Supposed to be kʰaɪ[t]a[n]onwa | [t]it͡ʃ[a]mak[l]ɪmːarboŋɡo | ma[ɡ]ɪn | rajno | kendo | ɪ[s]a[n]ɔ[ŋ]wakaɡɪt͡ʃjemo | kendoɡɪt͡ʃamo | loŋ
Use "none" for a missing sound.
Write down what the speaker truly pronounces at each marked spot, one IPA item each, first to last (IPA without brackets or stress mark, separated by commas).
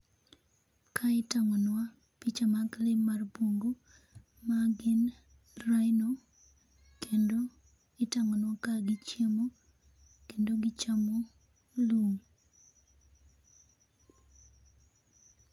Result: t, ŋ, p, a, l, ɡ, t, ŋ, n